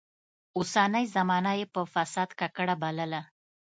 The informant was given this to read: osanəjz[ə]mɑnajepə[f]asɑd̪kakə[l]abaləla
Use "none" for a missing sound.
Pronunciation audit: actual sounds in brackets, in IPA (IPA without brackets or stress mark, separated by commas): a, f, ɽ